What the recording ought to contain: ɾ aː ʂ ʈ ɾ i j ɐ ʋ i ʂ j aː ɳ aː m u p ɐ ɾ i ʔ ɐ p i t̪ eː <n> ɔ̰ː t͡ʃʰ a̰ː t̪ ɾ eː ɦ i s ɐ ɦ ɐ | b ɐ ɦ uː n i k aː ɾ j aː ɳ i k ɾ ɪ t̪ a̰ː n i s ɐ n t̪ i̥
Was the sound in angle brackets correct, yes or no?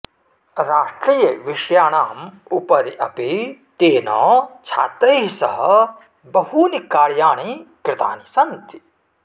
yes